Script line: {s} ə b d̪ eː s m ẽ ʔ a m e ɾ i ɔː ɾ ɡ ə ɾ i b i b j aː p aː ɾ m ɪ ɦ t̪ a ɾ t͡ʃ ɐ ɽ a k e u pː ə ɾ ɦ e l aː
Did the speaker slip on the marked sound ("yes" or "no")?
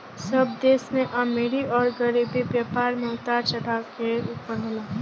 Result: no